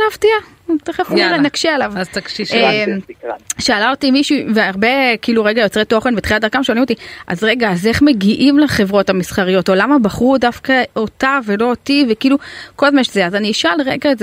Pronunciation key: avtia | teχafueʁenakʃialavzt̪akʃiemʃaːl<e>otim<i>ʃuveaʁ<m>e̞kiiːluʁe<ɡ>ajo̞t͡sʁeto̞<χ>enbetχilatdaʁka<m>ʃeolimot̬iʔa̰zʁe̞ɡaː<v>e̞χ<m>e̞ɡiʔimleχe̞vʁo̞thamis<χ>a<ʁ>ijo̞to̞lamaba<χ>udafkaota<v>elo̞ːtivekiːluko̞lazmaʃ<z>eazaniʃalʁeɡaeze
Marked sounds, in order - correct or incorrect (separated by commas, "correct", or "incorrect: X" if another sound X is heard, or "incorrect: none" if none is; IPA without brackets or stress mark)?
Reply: incorrect: a, correct, incorrect: b, correct, correct, correct, incorrect: z, correct, correct, correct, correct, correct, correct